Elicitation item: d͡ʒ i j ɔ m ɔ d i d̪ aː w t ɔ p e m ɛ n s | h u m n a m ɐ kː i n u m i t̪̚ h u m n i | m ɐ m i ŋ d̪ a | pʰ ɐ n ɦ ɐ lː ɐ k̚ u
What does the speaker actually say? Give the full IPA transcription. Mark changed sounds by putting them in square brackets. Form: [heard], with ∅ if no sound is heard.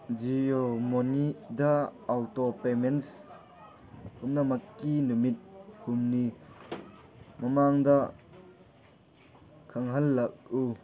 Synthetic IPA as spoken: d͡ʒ i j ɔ m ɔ [n] i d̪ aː w t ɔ p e m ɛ n s | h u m n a m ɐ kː i n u m i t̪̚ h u m n i | m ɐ m [a] ŋ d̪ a | [kʰ] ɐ [ŋ] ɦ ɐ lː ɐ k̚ u